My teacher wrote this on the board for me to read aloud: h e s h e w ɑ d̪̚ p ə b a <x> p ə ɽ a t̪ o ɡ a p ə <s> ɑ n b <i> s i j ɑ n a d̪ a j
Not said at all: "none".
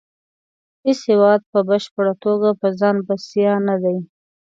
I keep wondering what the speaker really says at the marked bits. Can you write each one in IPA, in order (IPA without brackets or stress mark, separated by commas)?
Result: ʃ, z, a